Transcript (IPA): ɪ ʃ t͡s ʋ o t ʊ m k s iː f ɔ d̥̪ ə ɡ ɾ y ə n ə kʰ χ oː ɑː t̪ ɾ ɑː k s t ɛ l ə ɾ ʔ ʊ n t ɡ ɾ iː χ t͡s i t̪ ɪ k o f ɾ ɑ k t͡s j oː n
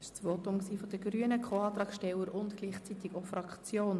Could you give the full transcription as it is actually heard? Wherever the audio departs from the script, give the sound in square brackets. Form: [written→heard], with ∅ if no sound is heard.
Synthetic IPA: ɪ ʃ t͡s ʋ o t ʊ m k s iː f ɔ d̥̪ ə ɡ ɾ y ə n ə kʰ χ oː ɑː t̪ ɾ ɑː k [s→ʃ] t ɛ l ə ɾ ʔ ʊ n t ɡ [ɾ→l] iː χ t͡s i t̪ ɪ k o f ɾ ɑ k t͡s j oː n